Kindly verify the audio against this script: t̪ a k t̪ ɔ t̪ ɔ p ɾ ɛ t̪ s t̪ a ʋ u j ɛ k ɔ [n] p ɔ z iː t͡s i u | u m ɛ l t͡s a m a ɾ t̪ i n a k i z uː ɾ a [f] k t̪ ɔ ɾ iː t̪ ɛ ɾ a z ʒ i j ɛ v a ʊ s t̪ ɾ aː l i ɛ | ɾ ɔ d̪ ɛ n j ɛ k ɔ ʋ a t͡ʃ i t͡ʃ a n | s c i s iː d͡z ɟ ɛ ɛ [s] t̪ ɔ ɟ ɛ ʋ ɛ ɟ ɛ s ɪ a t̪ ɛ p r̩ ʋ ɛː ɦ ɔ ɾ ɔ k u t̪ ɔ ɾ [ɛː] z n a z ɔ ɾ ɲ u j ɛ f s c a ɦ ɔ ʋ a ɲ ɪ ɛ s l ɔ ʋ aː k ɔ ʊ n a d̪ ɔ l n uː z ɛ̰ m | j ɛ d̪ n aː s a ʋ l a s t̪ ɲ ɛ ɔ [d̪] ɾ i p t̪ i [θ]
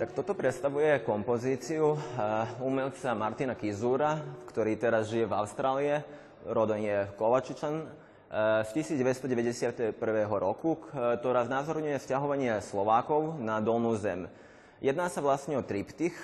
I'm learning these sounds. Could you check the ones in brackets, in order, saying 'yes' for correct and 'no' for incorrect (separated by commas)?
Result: no, yes, yes, no, no, no